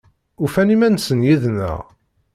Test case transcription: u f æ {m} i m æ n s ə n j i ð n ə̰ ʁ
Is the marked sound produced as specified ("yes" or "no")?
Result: no